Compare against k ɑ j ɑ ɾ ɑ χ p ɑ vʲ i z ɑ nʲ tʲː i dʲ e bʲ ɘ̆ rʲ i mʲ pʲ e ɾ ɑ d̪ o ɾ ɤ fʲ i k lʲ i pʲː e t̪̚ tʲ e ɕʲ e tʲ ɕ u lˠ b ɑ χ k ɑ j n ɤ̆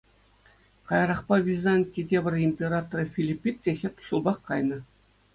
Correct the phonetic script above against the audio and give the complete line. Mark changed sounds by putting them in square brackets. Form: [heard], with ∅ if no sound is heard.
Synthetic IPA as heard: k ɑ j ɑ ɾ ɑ χ p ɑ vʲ i z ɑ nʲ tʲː i dʲ e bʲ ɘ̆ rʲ i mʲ pʲ e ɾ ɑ [t̪] o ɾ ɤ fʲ i [∅] lʲ i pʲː [i] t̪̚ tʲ e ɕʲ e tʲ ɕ u lˠ b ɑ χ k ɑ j n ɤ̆